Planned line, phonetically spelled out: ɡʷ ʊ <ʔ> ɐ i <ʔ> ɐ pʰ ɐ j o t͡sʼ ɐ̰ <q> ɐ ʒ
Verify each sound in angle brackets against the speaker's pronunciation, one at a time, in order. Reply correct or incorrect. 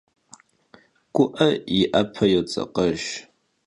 correct, correct, correct

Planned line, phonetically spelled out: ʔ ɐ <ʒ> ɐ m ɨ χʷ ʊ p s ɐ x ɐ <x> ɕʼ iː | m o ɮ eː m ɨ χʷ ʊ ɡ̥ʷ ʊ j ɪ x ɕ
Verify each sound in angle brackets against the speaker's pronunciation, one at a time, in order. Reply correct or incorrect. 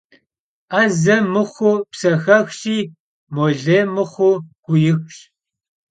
incorrect, correct

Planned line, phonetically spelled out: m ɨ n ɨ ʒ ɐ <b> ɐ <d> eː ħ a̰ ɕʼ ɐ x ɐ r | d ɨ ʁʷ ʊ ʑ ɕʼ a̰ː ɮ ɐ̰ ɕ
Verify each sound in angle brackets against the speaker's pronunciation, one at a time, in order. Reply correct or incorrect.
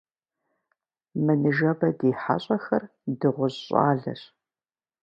correct, correct

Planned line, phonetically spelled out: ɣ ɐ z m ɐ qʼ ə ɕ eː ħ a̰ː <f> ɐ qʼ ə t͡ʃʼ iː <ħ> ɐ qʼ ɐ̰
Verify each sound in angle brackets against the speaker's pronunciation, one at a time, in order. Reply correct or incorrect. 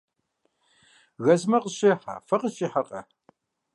correct, correct

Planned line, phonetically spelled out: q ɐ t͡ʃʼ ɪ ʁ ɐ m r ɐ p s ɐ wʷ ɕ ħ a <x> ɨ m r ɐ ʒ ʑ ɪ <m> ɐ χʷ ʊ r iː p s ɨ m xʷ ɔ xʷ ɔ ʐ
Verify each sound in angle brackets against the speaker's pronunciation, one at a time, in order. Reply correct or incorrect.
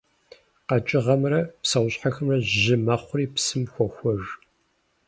correct, correct

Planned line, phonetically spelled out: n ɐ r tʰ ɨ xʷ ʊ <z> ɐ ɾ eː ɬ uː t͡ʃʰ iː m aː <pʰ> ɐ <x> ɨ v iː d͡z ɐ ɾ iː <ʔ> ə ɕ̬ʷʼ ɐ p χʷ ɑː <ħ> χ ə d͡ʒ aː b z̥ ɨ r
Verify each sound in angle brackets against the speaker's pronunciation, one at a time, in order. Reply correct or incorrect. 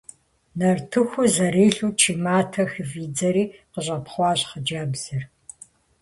correct, incorrect, correct, incorrect, incorrect

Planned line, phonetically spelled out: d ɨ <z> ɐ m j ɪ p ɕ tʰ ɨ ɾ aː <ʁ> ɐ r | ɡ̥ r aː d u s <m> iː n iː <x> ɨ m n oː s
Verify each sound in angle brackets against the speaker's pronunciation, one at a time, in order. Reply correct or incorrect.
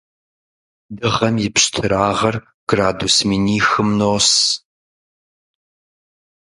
incorrect, correct, correct, correct

